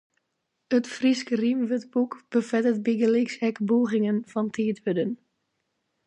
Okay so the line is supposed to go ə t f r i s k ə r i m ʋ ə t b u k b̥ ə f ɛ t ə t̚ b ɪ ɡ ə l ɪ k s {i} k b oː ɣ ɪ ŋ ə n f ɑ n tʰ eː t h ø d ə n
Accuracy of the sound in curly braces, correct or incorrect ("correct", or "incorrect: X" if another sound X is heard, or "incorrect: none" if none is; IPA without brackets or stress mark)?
incorrect: ɛ